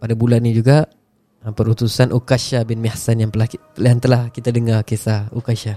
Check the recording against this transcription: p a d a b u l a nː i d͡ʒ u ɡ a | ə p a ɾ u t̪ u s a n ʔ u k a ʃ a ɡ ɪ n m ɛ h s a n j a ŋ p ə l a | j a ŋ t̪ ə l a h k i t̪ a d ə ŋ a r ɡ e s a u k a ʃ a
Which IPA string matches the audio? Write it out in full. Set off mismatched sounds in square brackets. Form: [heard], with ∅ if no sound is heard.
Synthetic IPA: p a d a b u l a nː i d͡ʒ u ɡ a | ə p [ə] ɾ u t̪ u s a n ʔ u k a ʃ a [b] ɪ n m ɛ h s a n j a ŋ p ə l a | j a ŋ t̪ ə l a h k i t̪ a d ə ŋ a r [k] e s a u k a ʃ a